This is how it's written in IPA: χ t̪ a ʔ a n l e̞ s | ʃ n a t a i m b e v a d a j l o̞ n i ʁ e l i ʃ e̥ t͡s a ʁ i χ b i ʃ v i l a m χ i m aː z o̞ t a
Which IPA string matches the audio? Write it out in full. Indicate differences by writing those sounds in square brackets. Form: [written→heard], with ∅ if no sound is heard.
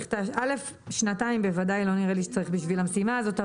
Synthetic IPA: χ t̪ a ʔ a [n→∅] l e̞ [s→f] | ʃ n a t a i m b e v a d a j l o̞ n i ʁ e l i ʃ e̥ t͡s a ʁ i χ b i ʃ v i l a m [χ→s] i m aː z o̞ t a